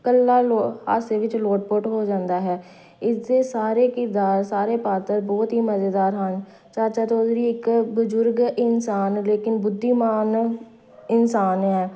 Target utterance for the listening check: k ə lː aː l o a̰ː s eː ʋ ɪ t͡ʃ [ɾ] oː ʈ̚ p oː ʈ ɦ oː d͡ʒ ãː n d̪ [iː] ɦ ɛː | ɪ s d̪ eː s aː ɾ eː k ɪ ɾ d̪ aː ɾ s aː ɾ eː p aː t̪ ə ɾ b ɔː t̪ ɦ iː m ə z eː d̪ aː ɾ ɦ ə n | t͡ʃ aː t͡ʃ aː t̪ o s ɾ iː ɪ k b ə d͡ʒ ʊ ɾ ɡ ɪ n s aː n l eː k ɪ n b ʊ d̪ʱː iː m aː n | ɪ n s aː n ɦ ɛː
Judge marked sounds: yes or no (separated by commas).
no, no